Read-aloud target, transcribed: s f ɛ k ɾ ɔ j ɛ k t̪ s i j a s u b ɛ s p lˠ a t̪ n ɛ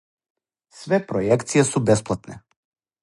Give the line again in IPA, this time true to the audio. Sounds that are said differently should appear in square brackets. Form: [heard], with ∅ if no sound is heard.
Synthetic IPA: s [v] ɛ [p] ɾ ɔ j ɛ k t̪ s i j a s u b ɛ s p lˠ a t̪ n ɛ